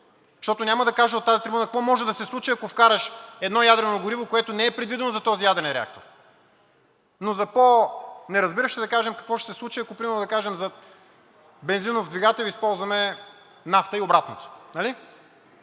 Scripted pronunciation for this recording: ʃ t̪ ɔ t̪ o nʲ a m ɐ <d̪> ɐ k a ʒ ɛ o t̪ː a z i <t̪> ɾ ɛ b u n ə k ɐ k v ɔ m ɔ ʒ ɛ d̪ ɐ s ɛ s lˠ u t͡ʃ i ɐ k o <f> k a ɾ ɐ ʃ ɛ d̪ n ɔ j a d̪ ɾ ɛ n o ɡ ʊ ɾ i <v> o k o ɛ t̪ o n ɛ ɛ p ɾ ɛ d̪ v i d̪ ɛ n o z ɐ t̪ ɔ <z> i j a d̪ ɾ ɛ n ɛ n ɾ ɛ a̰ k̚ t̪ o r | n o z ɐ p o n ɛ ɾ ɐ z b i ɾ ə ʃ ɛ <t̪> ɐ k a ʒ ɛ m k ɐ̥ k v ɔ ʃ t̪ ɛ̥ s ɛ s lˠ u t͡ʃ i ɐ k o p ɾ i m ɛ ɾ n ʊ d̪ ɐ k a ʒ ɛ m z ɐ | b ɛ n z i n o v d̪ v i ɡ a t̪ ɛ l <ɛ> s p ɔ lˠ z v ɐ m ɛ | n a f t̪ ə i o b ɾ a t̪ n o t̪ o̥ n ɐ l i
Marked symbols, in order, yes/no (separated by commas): yes, yes, yes, yes, yes, no, no